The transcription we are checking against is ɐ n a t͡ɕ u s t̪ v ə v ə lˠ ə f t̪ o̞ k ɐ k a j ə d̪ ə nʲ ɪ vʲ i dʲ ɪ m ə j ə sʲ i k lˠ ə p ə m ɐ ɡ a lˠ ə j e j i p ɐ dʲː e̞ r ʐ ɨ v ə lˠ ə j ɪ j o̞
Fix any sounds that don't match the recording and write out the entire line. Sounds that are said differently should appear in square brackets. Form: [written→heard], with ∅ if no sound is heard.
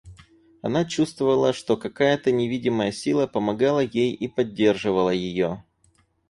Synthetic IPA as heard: ɐ n a t͡ɕ u s t̪ v ə v ə lˠ ə [f→ʂ] t̪ o̞ k ɐ k a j ə [d̪→t̪] ə nʲ ɪ vʲ i dʲ ɪ m ə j ə sʲ i [k→∅] lˠ ə p ə m ɐ ɡ a lˠ ə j e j i p ɐ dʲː e̞ r ʐ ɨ v ə lˠ ə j ɪ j o̞

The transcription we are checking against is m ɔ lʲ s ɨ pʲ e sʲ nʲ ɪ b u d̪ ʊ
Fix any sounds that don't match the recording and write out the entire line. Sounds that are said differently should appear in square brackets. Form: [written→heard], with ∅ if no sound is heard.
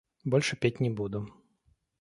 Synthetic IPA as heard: [m→b] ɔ lʲ [s→ʂ] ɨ pʲ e [sʲ→tʲ] nʲ ɪ b u d̪ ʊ

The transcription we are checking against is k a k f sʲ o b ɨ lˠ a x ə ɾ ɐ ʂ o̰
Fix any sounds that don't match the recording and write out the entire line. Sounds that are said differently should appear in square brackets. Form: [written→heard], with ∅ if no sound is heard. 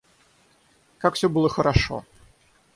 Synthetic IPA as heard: k a k f sʲ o b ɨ lˠ [a→ə] x ə ɾ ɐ ʂ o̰

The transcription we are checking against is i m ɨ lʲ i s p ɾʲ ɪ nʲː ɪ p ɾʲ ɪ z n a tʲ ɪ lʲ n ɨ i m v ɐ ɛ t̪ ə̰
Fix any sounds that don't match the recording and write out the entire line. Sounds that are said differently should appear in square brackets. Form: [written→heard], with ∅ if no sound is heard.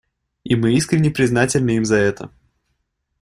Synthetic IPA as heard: i m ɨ [lʲ→∅] i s [p→k] ɾʲ ɪ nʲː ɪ p ɾʲ ɪ z n a tʲ ɪ lʲ n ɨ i m [v→z] ɐ ɛ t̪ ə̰

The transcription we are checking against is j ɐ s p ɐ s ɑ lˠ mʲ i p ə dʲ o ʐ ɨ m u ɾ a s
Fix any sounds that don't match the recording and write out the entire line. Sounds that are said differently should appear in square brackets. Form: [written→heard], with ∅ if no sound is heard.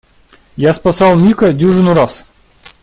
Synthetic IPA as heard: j [ɐ→a] s p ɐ s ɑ lˠ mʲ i [p→k] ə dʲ [o→u] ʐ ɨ [m→n] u ɾ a s

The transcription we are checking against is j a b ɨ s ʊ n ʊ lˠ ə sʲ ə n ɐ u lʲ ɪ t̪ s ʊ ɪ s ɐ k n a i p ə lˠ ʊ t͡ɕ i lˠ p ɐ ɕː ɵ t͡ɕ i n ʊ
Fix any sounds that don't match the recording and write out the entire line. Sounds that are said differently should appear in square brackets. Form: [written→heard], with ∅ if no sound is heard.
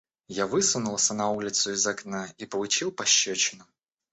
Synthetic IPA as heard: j a [b→v] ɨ s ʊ n ʊ lˠ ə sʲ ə n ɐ u lʲ ɪ t̪ s ʊ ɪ [s→z] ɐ k n a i p ə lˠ ʊ t͡ɕ i lˠ p ɐ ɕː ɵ t͡ɕ [i→ɪ] n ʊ

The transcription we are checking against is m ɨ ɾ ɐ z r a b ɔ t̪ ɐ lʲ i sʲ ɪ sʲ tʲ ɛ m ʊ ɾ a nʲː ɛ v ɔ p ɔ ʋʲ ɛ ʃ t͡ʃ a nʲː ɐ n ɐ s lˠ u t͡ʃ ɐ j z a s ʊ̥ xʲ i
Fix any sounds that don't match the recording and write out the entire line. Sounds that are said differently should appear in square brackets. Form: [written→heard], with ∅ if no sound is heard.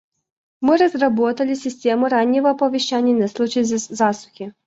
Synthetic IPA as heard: m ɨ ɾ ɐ z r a b ɔ t̪ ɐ lʲ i sʲ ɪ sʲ tʲ ɛ m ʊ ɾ a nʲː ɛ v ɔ p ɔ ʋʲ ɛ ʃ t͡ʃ a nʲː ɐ n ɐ s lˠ u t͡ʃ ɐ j z a s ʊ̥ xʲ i

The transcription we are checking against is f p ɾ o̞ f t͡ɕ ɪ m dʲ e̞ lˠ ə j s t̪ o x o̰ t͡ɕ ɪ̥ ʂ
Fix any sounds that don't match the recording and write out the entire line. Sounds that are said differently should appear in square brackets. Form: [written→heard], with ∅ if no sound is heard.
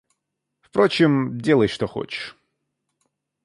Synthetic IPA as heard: f p ɾ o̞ [f→∅] t͡ɕ ɪ m dʲ e̞ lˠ ə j [s→ʂ] t̪ o x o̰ t͡ɕ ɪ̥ ʂ

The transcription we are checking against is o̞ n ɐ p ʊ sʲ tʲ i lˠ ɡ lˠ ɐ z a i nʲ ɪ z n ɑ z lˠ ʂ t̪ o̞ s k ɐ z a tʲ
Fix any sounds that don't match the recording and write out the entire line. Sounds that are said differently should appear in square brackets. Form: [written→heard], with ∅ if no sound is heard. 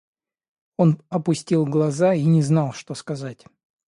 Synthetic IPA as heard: o̞ n ɐ p ʊ sʲ tʲ i lˠ ɡ lˠ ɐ z a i nʲ ɪ z n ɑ [z→∅] lˠ ʂ t̪ o̞ s k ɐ z a tʲ

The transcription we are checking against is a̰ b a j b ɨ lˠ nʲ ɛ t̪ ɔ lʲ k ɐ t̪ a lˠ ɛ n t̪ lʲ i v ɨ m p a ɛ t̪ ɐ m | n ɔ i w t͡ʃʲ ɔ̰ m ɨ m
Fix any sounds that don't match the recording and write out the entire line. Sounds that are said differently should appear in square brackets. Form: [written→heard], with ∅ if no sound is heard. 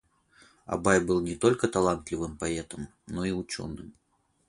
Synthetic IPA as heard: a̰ b a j b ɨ lˠ nʲ ɛ t̪ ɔ lʲ k ɐ t̪ a lˠ [ɛ→a] n t̪ lʲ i v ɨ m p a ɛ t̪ ɐ m | n ɔ i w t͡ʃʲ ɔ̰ [m→n] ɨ m

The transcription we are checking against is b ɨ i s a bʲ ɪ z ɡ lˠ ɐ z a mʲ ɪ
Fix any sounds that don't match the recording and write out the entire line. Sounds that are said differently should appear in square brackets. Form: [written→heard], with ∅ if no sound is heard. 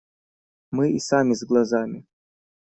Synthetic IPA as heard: [b→m] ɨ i s a [bʲ→mʲ] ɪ z ɡ lˠ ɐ z a mʲ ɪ

